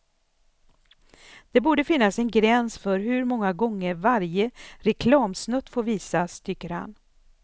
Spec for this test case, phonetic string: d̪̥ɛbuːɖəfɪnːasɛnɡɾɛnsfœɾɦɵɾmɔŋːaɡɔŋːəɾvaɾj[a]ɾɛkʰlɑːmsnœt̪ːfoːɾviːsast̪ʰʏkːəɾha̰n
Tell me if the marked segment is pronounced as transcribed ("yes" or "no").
no